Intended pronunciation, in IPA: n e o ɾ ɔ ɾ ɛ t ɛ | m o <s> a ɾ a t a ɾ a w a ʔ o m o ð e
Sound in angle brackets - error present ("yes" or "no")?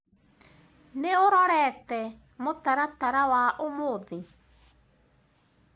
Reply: yes